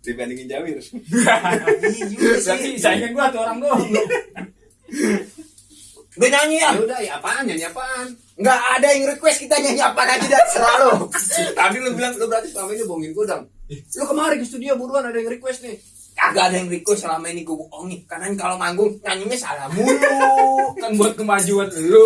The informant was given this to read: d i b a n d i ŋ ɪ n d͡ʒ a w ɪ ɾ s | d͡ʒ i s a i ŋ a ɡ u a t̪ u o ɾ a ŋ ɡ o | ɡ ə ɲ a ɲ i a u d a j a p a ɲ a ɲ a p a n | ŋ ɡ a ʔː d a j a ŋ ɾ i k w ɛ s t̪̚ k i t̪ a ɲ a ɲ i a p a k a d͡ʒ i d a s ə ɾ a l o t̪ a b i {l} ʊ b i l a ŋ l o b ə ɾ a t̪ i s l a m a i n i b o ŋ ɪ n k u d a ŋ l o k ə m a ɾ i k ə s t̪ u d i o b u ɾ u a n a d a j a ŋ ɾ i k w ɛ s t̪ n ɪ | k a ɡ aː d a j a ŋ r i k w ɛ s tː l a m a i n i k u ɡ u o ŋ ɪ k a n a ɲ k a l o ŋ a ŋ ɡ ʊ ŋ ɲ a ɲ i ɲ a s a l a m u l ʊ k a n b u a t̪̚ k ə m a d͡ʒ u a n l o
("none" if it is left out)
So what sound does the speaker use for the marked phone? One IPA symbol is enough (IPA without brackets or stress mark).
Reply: l